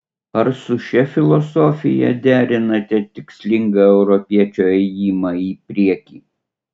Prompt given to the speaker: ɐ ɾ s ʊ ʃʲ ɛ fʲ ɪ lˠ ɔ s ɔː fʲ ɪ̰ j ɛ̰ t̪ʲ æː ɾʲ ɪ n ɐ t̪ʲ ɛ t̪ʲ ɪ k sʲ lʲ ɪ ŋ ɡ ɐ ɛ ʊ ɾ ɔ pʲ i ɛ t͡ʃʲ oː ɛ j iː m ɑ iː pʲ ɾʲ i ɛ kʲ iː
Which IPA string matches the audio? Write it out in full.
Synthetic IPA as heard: ɐ ɾ s ʊ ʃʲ ɛ fʲ ɪ lˠ ɔ s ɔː fʲ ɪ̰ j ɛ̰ d̪ʲ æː ɾʲ ɪ n ɐ t̪ʲ ɛ t̪ʲ ɪ k sʲ lʲ ɪ ŋ ɡ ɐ ɛ ʊ ɾ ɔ pʲ i ɛ t͡ʃʲ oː ɛ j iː m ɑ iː pʲ ɾʲ i ɛ kʲ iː